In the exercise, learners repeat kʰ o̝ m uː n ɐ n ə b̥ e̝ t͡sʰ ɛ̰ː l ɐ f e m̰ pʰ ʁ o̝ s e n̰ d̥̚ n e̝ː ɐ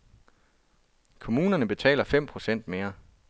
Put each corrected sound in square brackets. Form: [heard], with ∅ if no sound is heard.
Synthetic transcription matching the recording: kʰ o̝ m uː n ɐ n ə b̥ e̝ t͡sʰ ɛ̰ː l ɐ f e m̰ pʰ ʁ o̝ s e n̰ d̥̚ [m] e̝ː ɐ